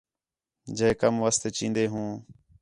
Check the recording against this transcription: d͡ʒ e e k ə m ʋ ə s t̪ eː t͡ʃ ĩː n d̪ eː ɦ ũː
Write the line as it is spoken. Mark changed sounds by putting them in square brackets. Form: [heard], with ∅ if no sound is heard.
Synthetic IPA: d͡ʒ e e k ə m ʋ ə s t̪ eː t͡ʃ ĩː n d̪ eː ɦ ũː